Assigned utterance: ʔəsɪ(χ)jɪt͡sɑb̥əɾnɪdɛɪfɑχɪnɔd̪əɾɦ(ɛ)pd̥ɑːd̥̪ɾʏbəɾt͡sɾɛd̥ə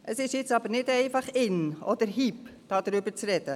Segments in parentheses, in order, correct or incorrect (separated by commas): incorrect, incorrect